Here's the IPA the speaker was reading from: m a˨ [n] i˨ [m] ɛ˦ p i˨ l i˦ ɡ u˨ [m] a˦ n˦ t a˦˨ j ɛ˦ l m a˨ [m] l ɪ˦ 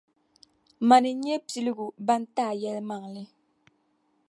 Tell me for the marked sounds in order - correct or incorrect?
correct, incorrect, incorrect, incorrect

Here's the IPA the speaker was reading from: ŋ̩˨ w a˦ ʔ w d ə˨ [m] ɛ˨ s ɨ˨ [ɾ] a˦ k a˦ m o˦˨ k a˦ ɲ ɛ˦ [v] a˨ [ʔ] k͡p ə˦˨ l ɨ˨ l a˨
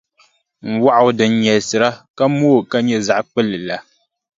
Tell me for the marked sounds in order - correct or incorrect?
incorrect, correct, incorrect, correct

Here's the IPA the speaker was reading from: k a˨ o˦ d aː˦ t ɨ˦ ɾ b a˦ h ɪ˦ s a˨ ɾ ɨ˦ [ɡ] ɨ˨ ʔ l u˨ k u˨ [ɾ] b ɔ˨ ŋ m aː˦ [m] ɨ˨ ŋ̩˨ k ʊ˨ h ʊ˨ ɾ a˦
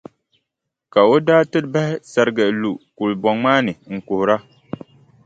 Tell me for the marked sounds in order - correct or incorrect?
correct, incorrect, incorrect

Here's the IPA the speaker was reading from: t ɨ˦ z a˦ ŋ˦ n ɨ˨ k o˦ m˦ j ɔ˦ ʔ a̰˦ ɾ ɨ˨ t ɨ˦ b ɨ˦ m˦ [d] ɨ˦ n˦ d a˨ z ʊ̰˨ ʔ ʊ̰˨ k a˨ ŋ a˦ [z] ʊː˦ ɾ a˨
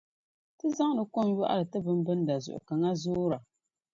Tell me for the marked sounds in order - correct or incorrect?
incorrect, correct

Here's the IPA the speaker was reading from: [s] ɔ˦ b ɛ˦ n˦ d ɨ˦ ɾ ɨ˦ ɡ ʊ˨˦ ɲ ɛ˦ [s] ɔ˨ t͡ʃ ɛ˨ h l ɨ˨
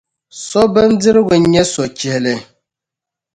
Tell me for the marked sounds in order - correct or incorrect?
correct, correct

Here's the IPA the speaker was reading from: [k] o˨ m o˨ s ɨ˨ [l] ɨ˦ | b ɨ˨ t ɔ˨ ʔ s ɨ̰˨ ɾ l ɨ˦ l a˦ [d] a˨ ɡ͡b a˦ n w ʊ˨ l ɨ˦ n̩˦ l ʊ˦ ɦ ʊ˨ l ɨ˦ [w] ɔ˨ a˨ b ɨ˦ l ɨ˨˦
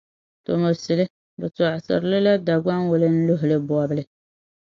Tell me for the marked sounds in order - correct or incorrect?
incorrect, correct, correct, incorrect

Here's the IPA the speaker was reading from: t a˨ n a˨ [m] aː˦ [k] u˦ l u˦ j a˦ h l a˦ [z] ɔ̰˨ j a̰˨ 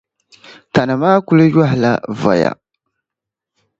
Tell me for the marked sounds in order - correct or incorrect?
correct, correct, incorrect

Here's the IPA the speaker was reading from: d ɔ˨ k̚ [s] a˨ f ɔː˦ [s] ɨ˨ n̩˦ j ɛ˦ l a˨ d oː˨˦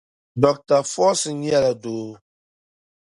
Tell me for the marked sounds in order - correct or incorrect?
incorrect, correct

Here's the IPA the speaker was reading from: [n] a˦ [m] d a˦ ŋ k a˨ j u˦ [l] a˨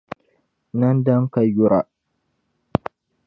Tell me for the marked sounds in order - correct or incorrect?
correct, incorrect, incorrect

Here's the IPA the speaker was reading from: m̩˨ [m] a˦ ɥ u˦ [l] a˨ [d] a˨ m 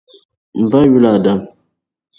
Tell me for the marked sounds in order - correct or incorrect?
incorrect, correct, correct

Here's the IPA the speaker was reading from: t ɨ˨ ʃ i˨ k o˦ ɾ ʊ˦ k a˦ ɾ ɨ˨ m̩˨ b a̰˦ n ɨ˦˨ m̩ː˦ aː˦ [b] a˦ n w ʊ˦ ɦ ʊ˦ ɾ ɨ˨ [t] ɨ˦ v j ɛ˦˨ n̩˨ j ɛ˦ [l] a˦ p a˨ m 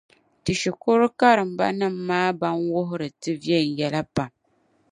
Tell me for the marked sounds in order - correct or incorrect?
correct, correct, correct

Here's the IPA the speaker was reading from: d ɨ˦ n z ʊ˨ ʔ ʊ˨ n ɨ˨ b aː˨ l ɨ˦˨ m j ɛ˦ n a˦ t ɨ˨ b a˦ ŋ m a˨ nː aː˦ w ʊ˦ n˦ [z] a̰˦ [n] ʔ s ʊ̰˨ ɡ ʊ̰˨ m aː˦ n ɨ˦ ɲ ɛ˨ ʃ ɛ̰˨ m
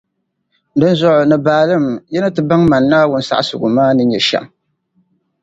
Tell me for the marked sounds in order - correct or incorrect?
incorrect, incorrect

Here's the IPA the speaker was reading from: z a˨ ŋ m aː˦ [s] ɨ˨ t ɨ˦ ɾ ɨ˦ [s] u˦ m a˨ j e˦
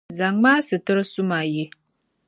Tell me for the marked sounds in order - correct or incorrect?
correct, correct

